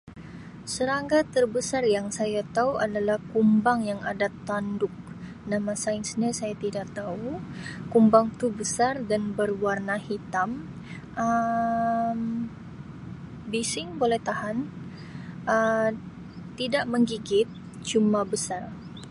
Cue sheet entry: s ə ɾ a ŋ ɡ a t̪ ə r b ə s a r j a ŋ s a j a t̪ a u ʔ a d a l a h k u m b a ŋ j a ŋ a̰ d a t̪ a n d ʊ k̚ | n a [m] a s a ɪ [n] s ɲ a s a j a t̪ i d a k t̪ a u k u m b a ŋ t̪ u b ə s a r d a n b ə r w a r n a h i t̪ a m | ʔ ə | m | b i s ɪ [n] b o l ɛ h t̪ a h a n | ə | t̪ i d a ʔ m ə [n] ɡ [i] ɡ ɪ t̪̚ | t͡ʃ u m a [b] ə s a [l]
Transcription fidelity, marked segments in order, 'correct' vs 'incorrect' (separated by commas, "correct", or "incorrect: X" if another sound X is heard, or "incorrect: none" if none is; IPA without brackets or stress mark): correct, correct, incorrect: ŋ, incorrect: ŋ, correct, correct, incorrect: r